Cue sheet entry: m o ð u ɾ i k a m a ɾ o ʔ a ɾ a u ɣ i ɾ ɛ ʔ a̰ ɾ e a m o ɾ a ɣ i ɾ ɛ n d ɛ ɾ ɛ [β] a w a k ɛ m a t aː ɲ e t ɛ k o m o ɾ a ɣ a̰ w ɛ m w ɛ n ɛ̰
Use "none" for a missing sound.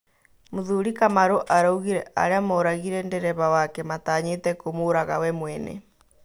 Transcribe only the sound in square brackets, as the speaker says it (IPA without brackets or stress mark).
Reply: β